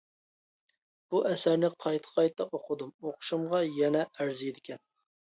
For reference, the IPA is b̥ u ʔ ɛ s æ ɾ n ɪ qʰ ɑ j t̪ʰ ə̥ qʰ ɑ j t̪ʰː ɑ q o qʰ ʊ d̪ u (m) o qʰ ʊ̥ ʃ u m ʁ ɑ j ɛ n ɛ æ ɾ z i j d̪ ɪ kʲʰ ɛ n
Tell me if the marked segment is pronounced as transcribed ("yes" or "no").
yes